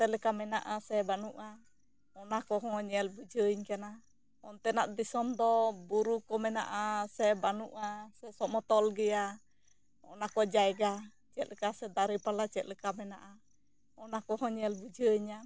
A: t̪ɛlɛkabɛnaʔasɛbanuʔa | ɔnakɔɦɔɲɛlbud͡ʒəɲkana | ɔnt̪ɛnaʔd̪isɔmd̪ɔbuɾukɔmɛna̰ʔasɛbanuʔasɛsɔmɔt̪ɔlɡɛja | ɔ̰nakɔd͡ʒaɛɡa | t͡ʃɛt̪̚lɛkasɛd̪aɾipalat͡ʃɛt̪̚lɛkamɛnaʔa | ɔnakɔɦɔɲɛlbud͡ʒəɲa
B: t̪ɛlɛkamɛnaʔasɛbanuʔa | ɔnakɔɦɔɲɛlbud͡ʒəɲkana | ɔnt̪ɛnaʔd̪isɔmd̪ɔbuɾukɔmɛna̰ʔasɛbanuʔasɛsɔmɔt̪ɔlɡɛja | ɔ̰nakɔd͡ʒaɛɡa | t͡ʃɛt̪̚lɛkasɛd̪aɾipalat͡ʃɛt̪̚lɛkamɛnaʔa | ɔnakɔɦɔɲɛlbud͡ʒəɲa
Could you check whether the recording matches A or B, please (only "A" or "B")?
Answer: B